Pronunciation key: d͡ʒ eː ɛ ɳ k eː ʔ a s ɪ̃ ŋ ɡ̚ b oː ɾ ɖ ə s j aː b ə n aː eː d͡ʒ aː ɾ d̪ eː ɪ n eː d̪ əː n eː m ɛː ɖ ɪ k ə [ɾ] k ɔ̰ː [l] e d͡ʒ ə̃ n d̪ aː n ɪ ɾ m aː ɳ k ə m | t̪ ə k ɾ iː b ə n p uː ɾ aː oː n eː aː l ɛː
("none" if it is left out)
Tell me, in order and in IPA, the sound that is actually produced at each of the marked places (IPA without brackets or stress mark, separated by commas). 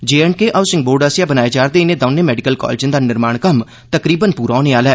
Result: l, l